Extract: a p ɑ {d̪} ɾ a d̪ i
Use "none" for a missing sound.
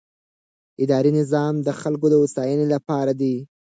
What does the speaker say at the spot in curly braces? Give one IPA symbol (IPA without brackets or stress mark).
none